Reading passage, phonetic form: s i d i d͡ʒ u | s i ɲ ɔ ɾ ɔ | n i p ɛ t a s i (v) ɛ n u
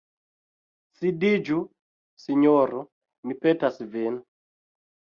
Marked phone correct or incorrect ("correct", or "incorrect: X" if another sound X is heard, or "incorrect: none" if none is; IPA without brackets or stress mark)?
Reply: correct